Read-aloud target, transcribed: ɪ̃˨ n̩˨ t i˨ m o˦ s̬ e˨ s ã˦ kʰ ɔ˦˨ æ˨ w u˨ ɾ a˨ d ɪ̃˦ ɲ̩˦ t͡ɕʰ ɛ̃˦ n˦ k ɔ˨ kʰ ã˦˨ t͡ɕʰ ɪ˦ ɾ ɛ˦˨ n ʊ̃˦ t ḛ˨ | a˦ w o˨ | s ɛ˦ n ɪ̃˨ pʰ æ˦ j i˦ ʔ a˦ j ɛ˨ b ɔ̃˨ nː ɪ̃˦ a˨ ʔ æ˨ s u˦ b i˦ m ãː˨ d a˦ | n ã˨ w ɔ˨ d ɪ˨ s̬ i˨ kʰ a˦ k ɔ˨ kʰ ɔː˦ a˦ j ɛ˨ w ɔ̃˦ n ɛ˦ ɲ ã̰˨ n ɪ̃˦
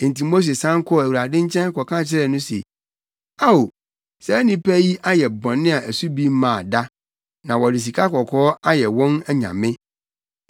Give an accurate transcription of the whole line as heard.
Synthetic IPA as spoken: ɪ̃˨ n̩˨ t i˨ m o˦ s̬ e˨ s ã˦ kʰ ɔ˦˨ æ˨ w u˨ ɾ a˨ d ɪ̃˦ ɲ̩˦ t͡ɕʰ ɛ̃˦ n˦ k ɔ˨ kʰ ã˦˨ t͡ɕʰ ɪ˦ ɾ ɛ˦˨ n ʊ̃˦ s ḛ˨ | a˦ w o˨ | s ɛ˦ n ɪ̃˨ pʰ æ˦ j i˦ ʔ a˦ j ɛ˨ b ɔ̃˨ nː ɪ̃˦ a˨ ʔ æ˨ s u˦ b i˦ m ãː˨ d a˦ | n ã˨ w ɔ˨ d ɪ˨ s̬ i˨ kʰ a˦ k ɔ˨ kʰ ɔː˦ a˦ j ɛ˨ w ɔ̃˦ n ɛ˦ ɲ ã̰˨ m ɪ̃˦

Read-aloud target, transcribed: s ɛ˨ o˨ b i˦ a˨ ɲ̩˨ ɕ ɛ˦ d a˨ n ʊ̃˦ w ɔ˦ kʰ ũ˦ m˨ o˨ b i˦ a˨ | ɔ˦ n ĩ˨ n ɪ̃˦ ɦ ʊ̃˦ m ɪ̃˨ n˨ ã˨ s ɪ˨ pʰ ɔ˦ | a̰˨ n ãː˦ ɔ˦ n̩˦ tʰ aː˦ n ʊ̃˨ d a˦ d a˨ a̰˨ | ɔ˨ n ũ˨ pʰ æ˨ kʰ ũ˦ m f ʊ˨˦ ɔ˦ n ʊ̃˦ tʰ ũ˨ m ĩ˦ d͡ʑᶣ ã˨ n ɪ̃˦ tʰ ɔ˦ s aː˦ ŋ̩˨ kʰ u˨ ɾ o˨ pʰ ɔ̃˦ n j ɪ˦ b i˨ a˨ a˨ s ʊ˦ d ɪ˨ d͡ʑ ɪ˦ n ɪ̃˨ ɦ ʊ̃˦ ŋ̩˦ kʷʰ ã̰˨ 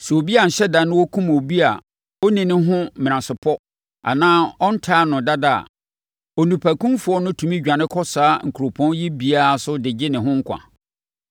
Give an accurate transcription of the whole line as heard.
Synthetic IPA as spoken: s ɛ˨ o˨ b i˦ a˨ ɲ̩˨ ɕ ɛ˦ d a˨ n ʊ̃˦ w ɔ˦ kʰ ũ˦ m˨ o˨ b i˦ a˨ | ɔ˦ n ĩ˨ n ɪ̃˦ ɦ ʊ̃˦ m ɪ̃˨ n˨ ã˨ s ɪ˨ pʰ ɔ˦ | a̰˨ n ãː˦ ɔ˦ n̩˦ tʰ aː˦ n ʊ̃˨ d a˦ d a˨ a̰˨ | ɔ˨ n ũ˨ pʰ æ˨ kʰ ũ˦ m f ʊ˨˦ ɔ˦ n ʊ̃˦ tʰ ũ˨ m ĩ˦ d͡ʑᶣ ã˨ n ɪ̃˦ kʰ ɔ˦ s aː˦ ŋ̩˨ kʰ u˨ ɾ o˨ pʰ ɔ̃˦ n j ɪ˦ b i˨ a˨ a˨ s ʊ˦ d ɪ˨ d͡ʑ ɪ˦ n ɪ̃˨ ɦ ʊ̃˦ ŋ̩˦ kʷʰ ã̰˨

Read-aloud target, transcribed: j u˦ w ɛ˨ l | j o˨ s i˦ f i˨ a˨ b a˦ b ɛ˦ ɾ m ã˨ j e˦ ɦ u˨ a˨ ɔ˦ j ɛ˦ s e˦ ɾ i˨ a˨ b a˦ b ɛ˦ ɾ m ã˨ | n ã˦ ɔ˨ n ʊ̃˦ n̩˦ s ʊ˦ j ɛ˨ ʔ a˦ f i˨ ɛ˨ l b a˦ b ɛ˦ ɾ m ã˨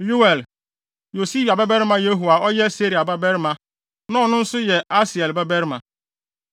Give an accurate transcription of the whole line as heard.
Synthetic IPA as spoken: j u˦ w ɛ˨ l | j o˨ s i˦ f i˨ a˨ b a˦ b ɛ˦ ɾ m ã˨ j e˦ ɦ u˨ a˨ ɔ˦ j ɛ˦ s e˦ ɾ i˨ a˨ b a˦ b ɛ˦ ɾ m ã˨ | n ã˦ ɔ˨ n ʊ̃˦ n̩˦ s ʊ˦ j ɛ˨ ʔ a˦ s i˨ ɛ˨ l b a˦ b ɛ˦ ɾ m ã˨

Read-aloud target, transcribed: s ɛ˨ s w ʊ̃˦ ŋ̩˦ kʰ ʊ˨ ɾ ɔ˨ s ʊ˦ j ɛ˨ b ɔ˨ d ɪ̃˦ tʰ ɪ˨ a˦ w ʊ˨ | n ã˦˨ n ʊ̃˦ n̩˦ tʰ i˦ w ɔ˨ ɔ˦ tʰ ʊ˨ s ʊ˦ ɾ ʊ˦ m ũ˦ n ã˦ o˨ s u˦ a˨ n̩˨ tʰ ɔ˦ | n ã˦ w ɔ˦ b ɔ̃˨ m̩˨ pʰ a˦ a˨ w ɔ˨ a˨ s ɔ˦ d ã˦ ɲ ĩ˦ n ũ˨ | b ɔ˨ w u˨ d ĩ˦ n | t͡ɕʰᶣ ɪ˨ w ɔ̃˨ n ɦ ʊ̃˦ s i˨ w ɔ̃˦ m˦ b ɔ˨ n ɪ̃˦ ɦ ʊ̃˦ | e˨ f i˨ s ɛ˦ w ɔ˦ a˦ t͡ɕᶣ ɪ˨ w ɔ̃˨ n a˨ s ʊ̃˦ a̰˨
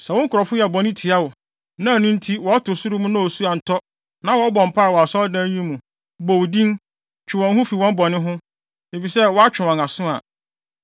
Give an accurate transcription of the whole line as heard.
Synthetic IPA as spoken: s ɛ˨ w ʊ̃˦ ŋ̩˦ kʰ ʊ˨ ɾ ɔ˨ f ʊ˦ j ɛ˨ b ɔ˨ n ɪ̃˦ tʰ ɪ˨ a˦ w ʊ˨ | n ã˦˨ n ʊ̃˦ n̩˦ tʰ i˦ w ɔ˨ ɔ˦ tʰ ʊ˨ s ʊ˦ ɾ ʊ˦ m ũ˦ n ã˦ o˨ s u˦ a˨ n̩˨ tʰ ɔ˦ | n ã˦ w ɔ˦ b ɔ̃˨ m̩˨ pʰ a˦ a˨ w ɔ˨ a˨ s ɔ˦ d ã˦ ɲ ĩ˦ m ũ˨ | b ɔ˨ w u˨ d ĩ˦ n | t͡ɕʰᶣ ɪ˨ w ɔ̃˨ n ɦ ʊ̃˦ f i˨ w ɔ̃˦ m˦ b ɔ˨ n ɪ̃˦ ɦ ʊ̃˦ | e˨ f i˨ s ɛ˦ w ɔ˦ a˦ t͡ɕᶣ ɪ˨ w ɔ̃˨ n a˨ s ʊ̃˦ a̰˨

